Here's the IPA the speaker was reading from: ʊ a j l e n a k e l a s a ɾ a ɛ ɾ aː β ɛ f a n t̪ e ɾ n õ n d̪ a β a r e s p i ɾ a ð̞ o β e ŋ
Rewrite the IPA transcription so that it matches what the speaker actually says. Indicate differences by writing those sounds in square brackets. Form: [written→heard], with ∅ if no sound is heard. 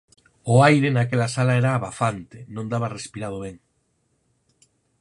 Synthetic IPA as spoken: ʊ a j [l→ɾ] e n a k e l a s a [ɾ→l] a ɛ ɾ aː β [ɛ→a] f a n t̪ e [ɾ→∅] n õ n d̪ a β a r e s p i ɾ a ð̞ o β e ŋ

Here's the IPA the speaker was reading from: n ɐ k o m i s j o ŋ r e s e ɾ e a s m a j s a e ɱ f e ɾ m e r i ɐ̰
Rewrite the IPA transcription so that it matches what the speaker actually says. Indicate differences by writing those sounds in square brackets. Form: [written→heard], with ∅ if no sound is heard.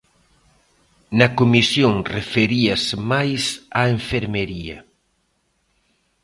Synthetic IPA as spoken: n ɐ k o m i s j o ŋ r e [s→f] e ɾ [e→i] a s m a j s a e ɱ f e ɾ m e [r→ɾ] i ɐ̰

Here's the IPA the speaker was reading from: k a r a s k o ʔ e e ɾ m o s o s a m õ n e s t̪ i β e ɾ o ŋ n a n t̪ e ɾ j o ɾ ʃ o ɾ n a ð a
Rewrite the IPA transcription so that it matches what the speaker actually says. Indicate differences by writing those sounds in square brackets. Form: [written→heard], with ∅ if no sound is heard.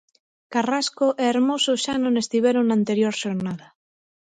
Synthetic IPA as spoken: k a r a s k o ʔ e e ɾ m o s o [s→ʃ] a [m→n] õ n e s t̪ i β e ɾ o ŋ n a n t̪ e ɾ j o ɾ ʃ o ɾ n a ð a

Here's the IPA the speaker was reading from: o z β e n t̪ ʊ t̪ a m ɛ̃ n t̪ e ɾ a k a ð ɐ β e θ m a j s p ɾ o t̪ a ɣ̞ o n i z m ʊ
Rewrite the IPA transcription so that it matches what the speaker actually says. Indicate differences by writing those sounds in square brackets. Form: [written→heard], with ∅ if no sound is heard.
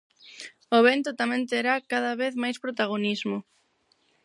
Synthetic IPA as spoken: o [z→∅] β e n t̪ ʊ t̪ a m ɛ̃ n t̪ e ɾ a k a ð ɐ β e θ m a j s p ɾ o t̪ a ɣ̞ o n i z m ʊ

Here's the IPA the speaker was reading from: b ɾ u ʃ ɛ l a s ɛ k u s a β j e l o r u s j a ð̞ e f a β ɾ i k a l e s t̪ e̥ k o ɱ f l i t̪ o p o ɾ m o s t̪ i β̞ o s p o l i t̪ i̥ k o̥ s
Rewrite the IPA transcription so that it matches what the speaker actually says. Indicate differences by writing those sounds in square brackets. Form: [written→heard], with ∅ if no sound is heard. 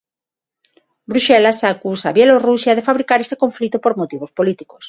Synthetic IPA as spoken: b ɾ u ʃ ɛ l a s [ɛ→a] k u s a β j e l o r u s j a ð̞ e f a β ɾ i k a [l→ɾ] e s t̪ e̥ k o ɱ f l i t̪ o p o ɾ m o [s→∅] t̪ i β̞ o s p o l i t̪ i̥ k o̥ s

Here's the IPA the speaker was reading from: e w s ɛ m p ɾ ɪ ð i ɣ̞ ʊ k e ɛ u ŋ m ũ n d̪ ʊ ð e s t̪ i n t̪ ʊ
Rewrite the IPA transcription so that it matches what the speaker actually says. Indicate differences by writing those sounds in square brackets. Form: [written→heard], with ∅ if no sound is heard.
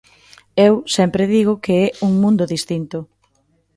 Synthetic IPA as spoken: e w s ɛ m p ɾ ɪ ð i ɣ̞ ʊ k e ɛ u ŋ m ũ n d̪ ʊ ð [e→i] s t̪ i n t̪ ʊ

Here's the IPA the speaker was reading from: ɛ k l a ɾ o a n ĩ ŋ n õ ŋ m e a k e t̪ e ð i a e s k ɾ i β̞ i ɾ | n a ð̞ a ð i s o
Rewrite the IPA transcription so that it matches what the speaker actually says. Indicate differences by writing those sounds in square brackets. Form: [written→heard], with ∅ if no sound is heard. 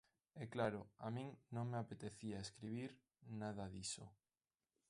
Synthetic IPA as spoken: ɛ k l a ɾ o a [n→m] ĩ ŋ n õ ŋ m e a [k→p] e t̪ e [ð→θ] i a e s k ɾ i β̞ i ɾ | n a ð̞ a ð i s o

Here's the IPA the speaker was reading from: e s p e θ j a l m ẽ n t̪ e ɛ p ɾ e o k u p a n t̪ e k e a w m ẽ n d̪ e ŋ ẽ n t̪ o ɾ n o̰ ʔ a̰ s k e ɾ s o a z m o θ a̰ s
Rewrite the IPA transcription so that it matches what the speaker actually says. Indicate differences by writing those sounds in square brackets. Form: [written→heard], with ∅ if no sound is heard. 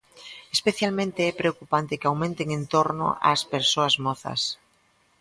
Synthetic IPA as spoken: e s p e θ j a l m ẽ n t̪ e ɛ p ɾ e o k u p a n t̪ e k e a w m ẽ n [d̪→t̪] e ŋ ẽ n t̪ o ɾ n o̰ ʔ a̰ s [k→p] e ɾ s o a z m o θ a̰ s

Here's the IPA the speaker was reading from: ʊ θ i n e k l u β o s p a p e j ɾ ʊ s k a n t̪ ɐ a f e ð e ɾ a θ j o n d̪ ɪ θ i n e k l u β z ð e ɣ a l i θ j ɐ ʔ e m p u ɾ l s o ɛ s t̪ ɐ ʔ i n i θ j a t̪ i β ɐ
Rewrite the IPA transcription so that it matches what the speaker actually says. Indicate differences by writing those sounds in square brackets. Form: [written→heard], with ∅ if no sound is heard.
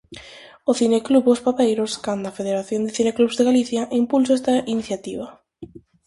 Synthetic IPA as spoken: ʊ θ i n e k l u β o s p a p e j ɾ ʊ s k a n [t̪→d̪] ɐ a f e ð e ɾ a θ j o n d̪ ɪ θ i n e k l u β z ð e ɣ a l i θ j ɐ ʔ [e→i] m p u [ɾ→∅] l s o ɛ s t̪ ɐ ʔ i n i θ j a t̪ i β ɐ

